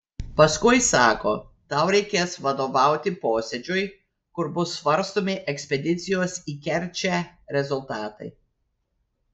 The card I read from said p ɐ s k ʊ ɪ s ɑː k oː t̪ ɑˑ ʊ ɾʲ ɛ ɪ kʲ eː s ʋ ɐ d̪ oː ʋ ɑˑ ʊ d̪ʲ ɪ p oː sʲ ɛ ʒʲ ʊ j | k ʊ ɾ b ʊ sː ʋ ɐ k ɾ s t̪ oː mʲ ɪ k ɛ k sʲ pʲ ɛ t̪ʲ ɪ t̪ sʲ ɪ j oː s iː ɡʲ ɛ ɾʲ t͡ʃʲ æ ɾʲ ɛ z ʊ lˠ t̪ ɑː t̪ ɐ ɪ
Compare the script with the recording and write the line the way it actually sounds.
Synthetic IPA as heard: p ɐ s k ʊ ɪ s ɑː k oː t̪ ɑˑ ʊ ɾʲ ɛ ɪ kʲ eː s ʋ ɐ d̪ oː ʋ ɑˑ ʊ t̪ʲ ɪ p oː sʲ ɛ d͡ʒʲ ʊ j | k ʊ ɾ b ʊ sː ʋ ɐ ɾ s t̪ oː mʲ ɪ ʔ ɛ k sʲ pʲ ɛ d̪ʲ ɪ t̪ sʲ ɪ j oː s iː kʲ ɛ ɾʲ t͡ʃʲ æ ɾʲ ɛ z ʊ lˠ t̪ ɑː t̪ ɐ ɪ